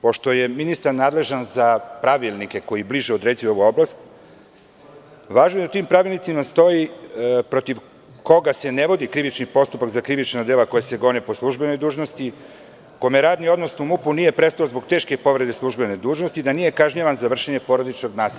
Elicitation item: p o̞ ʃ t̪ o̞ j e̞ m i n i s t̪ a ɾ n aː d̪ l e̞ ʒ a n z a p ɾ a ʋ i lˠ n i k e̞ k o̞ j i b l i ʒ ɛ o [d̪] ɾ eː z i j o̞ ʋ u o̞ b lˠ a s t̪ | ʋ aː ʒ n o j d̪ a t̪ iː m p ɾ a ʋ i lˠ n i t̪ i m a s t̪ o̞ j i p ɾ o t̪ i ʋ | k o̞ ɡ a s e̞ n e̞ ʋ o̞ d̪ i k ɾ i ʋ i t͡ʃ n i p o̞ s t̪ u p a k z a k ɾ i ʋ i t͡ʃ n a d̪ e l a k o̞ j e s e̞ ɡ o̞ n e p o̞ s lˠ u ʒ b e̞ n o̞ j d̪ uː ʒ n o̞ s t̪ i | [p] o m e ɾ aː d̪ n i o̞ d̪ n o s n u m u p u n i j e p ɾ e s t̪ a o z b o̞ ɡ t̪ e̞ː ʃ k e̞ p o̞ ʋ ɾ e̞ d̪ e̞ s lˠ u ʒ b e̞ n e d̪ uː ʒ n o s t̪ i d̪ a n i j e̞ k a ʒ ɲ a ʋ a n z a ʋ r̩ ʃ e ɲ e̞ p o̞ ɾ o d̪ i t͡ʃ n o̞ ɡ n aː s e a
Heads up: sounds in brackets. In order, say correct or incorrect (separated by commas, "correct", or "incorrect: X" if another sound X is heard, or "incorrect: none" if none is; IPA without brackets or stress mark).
correct, incorrect: k